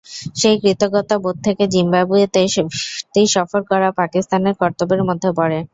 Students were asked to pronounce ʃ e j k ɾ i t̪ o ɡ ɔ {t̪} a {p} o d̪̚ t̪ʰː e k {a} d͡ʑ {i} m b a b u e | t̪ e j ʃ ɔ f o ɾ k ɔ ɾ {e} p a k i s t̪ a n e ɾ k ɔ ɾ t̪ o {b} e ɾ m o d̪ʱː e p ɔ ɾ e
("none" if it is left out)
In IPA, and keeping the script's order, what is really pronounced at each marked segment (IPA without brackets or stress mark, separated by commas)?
t̪, b, e, i, a, b